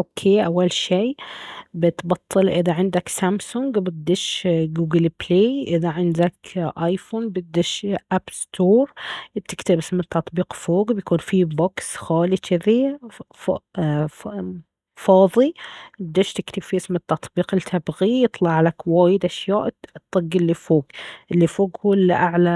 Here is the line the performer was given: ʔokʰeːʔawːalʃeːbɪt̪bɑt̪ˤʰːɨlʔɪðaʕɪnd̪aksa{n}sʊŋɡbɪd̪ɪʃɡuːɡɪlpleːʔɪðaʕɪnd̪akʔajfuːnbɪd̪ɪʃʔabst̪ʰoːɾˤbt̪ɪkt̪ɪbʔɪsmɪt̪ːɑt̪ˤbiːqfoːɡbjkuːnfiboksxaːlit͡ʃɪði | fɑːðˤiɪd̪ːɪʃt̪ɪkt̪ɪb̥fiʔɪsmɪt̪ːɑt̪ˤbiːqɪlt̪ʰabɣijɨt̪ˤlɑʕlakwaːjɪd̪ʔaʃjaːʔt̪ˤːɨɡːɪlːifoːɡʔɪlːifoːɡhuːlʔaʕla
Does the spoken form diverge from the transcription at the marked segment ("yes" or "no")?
yes